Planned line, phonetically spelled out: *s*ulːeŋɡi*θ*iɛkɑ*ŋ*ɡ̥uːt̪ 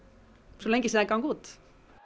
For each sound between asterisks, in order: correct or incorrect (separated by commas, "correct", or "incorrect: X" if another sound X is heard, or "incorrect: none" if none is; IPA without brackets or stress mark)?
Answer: correct, incorrect: s, correct